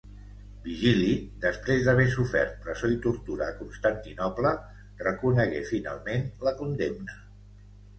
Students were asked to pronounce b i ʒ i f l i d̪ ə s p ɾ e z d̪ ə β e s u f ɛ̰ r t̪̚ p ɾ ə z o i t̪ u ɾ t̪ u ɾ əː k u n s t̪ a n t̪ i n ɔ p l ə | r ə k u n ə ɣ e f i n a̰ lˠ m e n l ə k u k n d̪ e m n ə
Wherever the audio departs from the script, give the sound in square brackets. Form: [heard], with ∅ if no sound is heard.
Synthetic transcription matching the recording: b i ʒ i [∅] l i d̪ ə s p ɾ e z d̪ ə β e s u f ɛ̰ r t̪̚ p ɾ ə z o i t̪ u ɾ t̪ u ɾ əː k u n s t̪ a n t̪ i n ɔ p l ə | r ə k u n ə ɣ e f i n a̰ lˠ m e n l ə k u [∅] n d̪ e m n ə